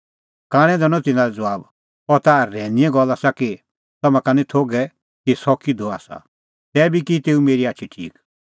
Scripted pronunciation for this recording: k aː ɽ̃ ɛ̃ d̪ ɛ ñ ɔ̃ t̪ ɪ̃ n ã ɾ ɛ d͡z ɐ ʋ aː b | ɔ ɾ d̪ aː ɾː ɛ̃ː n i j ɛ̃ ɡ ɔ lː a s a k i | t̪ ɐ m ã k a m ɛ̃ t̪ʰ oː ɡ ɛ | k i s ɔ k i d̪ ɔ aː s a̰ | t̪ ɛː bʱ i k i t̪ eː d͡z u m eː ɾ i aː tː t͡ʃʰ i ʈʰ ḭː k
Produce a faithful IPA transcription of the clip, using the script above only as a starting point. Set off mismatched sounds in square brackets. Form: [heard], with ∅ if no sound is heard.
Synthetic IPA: k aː ɽ̃ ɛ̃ d̪ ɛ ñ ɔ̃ t̪ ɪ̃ n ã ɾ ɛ d͡z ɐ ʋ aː b | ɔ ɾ [t̪] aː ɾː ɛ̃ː n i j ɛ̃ ɡ ɔ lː a s a k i | t̪ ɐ m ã k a [n] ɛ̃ t̪ʰ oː ɡ ɛ | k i s ɔ k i d̪ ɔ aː s a̰ | t̪ ɛː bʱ i k i t̪ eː [∅] u m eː ɾ i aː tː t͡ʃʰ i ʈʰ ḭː k